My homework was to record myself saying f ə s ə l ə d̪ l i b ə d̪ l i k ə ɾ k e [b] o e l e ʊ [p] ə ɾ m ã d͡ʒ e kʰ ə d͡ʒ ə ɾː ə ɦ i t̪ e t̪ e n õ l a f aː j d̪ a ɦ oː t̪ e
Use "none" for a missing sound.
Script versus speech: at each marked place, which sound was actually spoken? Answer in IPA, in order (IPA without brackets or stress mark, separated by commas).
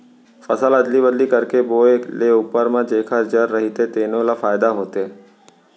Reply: b, p